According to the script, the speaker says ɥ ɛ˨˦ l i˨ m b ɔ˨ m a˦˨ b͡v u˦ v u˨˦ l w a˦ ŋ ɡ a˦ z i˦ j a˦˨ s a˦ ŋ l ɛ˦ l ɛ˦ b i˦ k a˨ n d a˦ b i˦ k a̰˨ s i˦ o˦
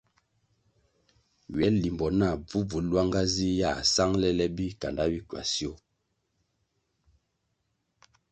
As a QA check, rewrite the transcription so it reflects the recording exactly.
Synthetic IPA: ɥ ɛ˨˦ l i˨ m b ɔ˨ n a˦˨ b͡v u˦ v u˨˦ l w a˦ ŋ ɡ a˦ z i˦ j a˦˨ s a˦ ŋ l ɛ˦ l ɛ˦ b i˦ k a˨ n d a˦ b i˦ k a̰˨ s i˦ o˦